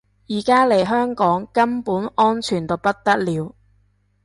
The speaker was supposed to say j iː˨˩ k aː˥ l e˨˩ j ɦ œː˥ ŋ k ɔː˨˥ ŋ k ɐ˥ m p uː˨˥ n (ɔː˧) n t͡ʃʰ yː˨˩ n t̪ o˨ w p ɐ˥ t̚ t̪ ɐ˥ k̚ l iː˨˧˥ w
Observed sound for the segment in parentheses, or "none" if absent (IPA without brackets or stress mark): ɔː˥